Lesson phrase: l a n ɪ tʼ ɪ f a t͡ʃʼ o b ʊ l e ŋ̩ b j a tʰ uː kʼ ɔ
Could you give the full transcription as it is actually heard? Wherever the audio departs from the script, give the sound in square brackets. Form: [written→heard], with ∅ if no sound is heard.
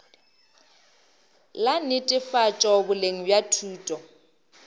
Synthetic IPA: l a n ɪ tʼ ɪ f a t͡ʃʼ [o→ɔ] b ʊ l e ŋ̩ b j a tʰ uː [kʼ→tʼ] ɔ